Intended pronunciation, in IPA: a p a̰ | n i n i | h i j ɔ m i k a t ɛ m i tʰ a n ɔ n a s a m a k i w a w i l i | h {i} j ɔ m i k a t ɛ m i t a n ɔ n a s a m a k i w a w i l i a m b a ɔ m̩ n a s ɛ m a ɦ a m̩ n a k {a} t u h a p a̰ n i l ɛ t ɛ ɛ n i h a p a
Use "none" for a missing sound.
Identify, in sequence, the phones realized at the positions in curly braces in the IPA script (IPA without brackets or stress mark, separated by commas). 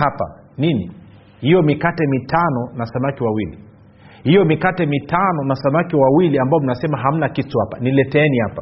i, i